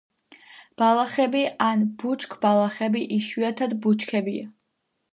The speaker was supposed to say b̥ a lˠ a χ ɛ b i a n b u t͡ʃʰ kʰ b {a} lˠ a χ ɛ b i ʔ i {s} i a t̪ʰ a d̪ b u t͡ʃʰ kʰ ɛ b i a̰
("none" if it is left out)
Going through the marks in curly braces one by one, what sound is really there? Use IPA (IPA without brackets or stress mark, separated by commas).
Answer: a, ʃ